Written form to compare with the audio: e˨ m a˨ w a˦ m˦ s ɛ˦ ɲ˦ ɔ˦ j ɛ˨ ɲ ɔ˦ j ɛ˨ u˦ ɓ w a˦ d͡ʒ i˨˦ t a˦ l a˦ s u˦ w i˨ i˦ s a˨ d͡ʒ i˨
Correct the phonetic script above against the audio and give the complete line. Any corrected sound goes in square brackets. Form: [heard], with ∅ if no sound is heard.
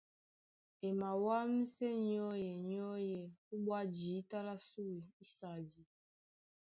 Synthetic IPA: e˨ m a˨ w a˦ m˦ s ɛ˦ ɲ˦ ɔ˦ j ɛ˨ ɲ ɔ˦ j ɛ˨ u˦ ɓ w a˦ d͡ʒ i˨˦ t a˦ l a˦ s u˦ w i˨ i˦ s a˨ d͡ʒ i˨

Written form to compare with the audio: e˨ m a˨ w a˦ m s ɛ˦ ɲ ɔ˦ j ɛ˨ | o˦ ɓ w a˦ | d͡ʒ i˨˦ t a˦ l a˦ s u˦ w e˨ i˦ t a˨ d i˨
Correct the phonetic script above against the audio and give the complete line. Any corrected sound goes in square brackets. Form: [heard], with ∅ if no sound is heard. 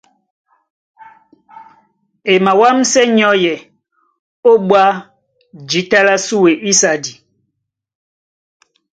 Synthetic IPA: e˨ m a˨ w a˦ m s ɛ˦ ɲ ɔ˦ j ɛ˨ | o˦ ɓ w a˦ | d͡ʒ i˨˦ t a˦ l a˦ s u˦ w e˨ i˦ [s] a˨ d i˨

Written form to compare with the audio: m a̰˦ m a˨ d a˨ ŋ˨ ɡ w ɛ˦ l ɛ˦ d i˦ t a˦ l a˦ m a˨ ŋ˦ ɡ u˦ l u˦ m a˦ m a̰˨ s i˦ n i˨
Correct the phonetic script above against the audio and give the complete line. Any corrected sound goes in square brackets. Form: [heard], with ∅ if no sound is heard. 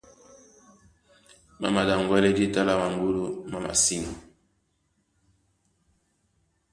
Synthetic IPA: m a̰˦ m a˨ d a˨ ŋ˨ ɡ w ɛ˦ l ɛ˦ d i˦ t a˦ l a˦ m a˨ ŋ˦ ɡ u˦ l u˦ m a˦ m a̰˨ s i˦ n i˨

